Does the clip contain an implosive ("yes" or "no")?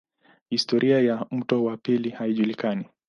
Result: yes